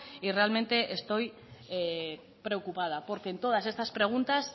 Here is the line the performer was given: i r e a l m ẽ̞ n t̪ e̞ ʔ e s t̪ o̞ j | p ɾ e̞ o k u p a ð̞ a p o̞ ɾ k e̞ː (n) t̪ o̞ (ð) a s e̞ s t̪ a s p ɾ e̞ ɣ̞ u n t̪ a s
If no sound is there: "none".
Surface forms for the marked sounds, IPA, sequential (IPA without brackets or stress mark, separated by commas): n, ð